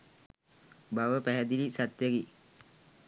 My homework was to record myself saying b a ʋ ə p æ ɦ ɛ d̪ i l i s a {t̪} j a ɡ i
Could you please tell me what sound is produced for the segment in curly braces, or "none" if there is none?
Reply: t̪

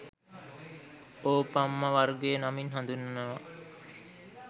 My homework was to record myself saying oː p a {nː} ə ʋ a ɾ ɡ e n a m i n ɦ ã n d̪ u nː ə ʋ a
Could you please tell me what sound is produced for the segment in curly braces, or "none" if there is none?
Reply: mː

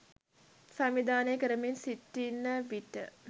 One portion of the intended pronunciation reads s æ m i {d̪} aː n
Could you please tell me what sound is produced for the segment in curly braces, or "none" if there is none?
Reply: d̪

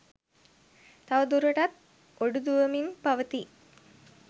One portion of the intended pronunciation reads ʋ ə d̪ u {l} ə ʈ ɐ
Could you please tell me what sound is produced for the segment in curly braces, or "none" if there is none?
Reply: ɾ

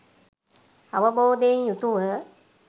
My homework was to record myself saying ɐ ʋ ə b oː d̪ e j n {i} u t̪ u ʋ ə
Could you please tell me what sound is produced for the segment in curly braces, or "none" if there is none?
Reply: j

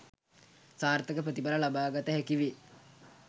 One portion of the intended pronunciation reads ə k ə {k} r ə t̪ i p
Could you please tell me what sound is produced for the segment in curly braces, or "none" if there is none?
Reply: p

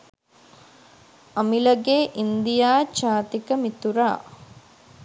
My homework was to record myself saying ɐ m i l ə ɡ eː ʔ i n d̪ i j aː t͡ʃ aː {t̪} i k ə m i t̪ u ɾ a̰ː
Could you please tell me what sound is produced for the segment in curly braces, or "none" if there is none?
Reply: t̪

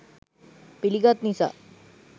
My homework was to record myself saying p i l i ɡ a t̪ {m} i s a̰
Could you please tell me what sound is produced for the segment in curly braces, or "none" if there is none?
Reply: n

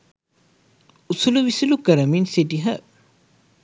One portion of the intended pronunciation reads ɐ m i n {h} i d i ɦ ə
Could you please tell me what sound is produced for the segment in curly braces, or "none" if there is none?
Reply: s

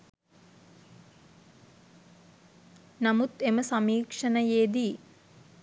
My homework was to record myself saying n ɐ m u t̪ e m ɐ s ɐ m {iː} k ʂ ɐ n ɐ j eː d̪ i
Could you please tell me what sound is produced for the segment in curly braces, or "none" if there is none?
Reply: iː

